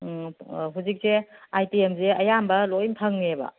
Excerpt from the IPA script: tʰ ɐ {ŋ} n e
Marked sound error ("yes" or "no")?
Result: no